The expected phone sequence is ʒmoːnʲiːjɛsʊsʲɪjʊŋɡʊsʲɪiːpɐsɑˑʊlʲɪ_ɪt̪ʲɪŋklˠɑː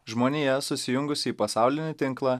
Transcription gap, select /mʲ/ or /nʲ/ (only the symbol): nʲ